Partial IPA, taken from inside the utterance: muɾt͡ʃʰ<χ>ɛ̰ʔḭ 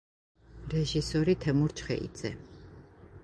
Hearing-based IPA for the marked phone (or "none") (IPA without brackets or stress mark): χ